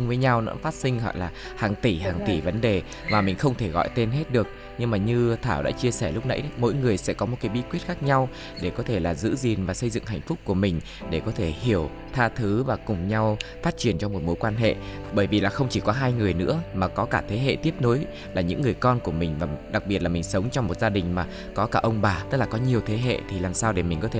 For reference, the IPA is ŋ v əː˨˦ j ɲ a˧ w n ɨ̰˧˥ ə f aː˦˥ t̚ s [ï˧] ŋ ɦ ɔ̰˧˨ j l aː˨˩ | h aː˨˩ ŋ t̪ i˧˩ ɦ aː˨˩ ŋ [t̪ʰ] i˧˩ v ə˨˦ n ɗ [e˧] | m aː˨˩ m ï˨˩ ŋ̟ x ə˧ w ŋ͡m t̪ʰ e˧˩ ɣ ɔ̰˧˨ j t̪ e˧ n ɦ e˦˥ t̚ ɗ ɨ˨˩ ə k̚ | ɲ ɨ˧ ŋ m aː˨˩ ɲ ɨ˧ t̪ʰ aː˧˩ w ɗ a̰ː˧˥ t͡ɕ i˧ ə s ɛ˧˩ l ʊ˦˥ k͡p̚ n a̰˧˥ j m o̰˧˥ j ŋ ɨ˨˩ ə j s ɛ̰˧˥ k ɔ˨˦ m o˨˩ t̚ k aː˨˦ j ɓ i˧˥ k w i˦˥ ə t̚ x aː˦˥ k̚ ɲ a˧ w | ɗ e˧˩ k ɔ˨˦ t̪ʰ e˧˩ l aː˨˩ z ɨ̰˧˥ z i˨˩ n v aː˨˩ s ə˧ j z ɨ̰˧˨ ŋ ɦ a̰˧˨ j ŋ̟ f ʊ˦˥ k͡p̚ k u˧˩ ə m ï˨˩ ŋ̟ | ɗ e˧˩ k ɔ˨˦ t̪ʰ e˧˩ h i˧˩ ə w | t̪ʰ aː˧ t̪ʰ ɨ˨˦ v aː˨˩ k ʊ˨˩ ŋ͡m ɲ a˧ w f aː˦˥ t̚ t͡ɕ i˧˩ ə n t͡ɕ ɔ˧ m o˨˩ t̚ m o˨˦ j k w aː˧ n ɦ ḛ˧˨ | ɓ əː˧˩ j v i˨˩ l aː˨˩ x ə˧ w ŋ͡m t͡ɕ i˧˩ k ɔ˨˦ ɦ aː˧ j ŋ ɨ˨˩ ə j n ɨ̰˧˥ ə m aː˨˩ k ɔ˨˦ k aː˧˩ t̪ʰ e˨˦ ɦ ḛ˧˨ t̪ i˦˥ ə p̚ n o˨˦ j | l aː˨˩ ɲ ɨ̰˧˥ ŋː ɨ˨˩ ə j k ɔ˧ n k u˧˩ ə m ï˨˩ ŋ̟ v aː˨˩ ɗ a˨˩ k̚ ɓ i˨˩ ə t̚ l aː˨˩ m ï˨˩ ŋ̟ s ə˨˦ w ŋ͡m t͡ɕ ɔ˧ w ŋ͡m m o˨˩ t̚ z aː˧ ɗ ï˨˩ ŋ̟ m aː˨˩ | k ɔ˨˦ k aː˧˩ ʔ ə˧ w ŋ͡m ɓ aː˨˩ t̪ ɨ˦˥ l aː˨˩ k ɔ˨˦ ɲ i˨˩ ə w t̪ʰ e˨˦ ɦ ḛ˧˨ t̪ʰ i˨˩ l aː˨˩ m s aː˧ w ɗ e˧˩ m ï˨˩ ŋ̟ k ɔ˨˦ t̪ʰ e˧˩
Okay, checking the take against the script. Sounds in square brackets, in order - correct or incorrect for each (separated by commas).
correct, incorrect, incorrect